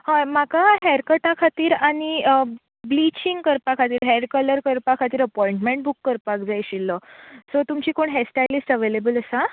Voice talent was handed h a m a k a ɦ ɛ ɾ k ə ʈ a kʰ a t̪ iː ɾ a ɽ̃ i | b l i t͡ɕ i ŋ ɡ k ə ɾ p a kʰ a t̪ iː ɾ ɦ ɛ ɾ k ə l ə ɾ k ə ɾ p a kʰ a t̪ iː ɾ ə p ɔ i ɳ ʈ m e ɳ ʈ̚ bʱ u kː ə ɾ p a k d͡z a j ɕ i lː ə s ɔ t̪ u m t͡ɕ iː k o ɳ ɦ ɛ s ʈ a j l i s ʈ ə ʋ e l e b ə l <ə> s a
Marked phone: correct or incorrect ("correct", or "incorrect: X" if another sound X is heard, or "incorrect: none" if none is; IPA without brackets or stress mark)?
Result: correct